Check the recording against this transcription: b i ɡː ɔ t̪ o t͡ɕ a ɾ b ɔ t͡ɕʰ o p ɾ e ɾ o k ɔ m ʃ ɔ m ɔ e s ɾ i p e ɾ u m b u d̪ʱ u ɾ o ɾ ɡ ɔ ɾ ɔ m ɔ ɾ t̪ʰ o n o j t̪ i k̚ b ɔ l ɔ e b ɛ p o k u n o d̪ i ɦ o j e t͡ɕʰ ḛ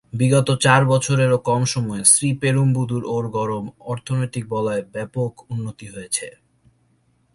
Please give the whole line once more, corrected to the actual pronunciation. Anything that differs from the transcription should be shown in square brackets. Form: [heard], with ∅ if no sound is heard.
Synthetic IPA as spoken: b i [ɡ] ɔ t̪ o t͡ɕ a ɾ b ɔ t͡ɕʰ o [∅] ɾ e ɾ o k ɔ m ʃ ɔ m ɔ e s ɾ i p e ɾ u m b u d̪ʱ u ɾ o ɾ ɡ ɔ ɾ [o] m ɔ ɾ t̪ʰ o n o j t̪ i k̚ b ɔ l ɔ e b ɛ p o k u [nː] o [t̪] i ɦ o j e t͡ɕʰ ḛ

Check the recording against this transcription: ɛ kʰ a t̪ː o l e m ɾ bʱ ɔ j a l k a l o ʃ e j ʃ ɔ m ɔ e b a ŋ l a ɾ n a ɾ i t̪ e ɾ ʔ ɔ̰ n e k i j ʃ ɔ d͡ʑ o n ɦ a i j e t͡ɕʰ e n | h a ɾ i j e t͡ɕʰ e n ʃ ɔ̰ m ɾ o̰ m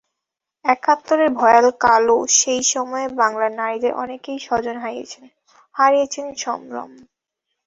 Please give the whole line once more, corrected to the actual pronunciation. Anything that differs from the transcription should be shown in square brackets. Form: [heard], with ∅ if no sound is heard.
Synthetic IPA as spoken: ɛ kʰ a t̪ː o [ɾ] e [∅] ɾ bʱ ɔ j a l k a l o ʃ e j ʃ ɔ m ɔ e b a ŋ l a ɾ n a ɾ i [d̪] e ɾ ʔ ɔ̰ n e k [e] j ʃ ɔ d͡ʑ o n ɦ a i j e t͡ɕʰ e n | h a ɾ i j e t͡ɕʰ e n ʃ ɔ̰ m ɾ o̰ m

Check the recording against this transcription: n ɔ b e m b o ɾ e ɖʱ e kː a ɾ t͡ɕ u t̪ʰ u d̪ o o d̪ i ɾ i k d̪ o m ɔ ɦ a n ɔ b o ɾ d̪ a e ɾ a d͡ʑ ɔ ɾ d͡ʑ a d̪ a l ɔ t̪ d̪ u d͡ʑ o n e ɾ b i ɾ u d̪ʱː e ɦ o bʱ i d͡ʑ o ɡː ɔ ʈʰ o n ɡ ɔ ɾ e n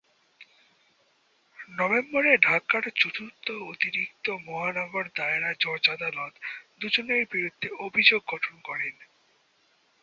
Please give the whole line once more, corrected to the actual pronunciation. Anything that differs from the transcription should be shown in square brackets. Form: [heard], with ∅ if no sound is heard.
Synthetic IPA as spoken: n ɔ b e m b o ɾ e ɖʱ [a] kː a ɾ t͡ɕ u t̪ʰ u [t̪] o o [t̪] i ɾ i k [t̪] o m ɔ ɦ a n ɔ [ɡ] o ɾ d̪ a e ɾ a d͡ʑ ɔ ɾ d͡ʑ a d̪ a l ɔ t̪ d̪ u d͡ʑ o n e ɾ b i ɾ u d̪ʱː e [∅] o bʱ i d͡ʑ o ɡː ɔ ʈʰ o n [k] ɔ ɾ e n

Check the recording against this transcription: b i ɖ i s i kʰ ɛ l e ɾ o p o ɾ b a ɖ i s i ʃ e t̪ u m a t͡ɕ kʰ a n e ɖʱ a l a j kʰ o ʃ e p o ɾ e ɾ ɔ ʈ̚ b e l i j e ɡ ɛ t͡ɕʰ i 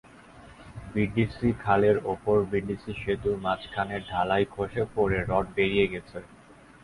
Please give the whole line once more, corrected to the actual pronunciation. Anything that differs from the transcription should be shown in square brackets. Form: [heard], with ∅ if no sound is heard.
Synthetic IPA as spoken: b i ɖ i s i kʰ [a] l e ɾ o p o ɾ b [i] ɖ i s i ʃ e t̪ u m a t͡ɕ kʰ a n e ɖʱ a l a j kʰ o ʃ e p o ɾ e ɾ ɔ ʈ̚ b e [ɾ] i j e ɡ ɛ t͡ɕʰ [e]

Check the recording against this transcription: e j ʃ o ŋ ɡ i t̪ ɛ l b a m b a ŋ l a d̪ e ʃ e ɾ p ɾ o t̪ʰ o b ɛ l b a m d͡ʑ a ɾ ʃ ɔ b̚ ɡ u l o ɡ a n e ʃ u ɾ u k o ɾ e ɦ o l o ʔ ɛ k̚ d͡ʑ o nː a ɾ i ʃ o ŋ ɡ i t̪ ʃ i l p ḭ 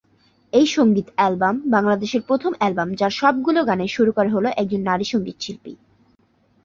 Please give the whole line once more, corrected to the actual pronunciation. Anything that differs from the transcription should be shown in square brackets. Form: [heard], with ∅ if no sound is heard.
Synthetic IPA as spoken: e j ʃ o ŋ ɡ i t̪ ɛ l b a m b a ŋ l a d̪ e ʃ e ɾ p ɾ o t̪ʰ o [m] ɛ l b a m d͡ʑ a ɾ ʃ ɔ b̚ ɡ u l o ɡ a n e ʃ u ɾ u k o ɾ e ɦ o l o ʔ ɛ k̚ d͡ʑ o nː a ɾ i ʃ o ŋ ɡ i t̪ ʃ i l p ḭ

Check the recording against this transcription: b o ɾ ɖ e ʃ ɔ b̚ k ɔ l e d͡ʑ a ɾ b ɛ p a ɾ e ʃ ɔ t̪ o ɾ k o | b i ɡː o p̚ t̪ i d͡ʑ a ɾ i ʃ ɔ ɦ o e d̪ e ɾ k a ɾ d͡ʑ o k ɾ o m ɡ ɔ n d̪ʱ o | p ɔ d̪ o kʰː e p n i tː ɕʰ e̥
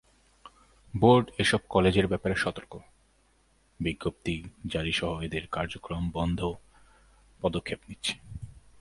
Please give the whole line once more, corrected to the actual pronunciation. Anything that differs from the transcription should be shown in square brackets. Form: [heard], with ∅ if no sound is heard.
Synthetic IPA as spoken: b o ɾ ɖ e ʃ ɔ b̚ k ɔ l e d͡ʑ [e] ɾ b ɛ p a ɾ e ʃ ɔ t̪ o ɾ k o | b i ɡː o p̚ t̪ i d͡ʑ a ɾ i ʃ ɔ ɦ o e d̪ e ɾ k a ɾ d͡ʑ o k ɾ o m [b] ɔ n d̪ʱ o | p ɔ d̪ o kʰː e p n i tː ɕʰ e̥

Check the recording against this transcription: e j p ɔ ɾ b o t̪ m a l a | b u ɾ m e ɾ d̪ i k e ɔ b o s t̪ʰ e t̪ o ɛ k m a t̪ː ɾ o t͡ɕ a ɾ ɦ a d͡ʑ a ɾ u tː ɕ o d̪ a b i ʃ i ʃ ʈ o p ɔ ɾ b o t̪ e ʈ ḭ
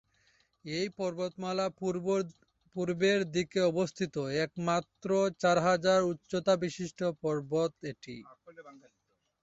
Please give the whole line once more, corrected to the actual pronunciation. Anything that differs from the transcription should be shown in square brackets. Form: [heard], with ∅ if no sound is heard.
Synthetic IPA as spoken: e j p ɔ ɾ b o t̪ m a l a | [p] u ɾ [b] e ɾ d̪ i k e ɔ b o s t̪ʰ [i] t̪ o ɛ k m a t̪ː ɾ o t͡ɕ a ɾ ɦ a d͡ʑ a ɾ u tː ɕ o [t̪] a b i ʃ i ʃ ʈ o p ɔ ɾ b o t̪ e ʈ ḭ

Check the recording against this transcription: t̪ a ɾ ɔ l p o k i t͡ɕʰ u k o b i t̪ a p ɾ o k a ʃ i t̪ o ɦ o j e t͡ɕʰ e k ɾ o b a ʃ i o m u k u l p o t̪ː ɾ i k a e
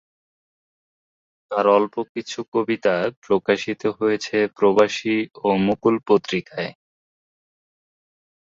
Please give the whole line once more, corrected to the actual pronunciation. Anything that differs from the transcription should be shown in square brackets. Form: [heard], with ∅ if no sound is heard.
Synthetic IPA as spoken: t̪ a ɾ ɔ l p o k i t͡ɕʰ u k o b i t̪ a p ɾ o k a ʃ i t̪ o ɦ o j e t͡ɕʰ e [p] ɾ o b a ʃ i o m u k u l p o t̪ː ɾ i k a e

